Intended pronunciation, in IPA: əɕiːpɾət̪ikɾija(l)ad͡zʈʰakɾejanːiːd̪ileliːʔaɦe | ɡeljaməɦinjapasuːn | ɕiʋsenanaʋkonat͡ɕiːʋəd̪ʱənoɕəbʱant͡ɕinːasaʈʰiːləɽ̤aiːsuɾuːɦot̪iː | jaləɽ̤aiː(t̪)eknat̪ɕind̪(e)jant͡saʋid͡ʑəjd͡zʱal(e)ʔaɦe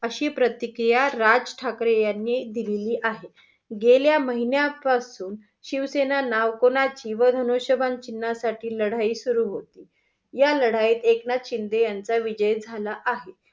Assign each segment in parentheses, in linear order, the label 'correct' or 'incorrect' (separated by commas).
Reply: incorrect, correct, correct, incorrect